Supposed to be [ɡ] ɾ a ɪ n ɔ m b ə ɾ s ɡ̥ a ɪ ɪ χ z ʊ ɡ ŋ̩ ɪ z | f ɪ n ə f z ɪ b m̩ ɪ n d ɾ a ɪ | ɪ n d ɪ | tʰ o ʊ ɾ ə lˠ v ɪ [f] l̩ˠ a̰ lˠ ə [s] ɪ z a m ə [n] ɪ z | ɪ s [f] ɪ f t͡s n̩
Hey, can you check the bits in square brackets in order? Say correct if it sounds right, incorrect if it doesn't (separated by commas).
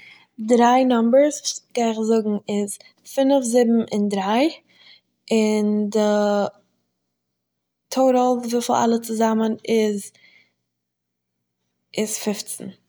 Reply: incorrect, correct, incorrect, correct, correct